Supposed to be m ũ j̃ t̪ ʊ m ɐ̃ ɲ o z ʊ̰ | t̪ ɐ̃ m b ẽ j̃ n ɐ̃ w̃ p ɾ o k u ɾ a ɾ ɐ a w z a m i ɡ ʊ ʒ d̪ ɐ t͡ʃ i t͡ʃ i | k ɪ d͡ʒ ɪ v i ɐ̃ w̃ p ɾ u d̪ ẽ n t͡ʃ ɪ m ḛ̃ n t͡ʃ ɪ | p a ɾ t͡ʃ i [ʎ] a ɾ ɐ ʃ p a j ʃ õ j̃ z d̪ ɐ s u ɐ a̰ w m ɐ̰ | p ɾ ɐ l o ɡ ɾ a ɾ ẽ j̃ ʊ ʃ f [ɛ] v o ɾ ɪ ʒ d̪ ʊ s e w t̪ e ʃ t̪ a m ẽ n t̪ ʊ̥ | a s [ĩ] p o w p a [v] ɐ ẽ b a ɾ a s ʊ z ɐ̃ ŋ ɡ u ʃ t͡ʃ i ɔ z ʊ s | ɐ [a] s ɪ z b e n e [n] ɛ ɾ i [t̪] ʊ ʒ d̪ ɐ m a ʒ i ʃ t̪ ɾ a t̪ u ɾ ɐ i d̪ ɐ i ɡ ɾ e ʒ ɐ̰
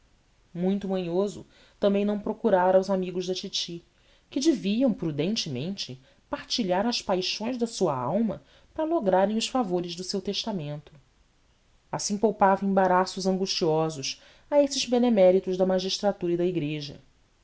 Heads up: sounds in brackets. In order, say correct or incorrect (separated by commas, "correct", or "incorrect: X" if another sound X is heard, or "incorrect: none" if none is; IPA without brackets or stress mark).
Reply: correct, incorrect: a, correct, correct, incorrect: e, incorrect: m, correct